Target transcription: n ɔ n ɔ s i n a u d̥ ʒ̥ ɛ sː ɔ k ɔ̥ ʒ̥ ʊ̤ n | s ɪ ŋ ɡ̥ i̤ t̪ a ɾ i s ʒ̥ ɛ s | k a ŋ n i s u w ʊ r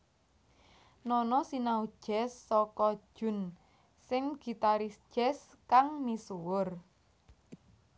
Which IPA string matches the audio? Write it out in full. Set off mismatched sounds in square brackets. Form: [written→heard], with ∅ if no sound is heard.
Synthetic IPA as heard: n ɔ n ɔ s i n a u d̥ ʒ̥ ɛ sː ɔ k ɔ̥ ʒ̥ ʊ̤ n | s ɪ ŋ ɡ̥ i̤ t̪ a ɾ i s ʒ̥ ɛ s | k a ŋ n i s u w ʊ r